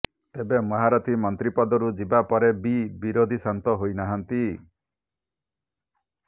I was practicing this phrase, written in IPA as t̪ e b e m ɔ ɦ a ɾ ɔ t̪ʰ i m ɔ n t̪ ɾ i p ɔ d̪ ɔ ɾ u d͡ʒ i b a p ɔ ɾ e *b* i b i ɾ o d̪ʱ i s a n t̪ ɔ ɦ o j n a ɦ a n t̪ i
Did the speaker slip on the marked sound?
no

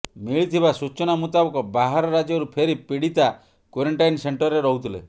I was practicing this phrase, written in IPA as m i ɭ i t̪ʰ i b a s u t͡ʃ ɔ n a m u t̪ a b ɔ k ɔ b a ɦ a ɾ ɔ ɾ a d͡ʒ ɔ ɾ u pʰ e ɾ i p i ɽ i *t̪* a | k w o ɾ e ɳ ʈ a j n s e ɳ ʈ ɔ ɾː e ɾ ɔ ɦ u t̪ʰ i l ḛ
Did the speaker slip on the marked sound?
no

